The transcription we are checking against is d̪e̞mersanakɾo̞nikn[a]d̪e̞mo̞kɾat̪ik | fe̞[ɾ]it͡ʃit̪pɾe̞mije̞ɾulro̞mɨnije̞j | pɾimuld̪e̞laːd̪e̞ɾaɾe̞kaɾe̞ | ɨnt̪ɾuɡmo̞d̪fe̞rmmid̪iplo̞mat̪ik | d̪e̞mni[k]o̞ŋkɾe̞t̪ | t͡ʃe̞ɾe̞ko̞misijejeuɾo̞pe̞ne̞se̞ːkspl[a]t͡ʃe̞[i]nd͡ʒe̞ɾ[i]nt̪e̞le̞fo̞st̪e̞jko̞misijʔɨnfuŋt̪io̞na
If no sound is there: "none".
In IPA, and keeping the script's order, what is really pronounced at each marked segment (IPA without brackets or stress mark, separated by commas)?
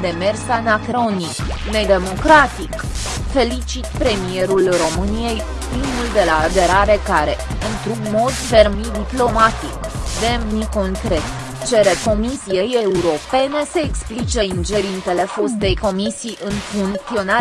e, l, k, i, i, i